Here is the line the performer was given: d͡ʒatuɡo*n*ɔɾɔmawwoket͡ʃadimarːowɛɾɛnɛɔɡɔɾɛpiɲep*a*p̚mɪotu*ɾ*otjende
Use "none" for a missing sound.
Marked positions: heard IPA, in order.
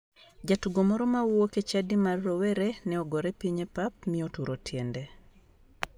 m, a, ɾ

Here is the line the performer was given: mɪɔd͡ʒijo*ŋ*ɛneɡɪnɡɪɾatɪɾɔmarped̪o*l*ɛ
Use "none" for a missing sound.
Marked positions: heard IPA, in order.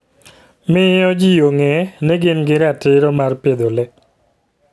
ŋ, l

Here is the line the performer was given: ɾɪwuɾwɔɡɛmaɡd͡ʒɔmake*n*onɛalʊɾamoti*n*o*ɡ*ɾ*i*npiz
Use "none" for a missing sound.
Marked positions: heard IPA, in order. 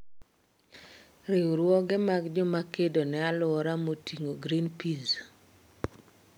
d, ŋ, ɡ, i

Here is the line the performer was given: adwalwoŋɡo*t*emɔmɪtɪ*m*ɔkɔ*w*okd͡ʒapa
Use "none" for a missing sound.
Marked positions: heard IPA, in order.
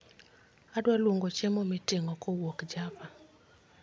t͡ʃ, ŋ, w

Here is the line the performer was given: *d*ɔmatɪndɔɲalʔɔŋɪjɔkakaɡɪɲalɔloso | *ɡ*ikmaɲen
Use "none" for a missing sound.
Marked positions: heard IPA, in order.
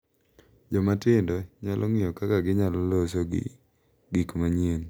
d͡ʒ, ɡ

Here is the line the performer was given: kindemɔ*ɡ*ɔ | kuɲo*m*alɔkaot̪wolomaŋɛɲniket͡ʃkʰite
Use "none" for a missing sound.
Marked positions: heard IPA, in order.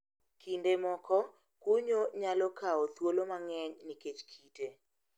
k, ɲ

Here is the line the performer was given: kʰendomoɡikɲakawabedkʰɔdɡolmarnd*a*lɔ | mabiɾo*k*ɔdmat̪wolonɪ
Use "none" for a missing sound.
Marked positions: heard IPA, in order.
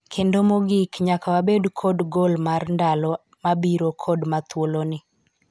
a, kʰ

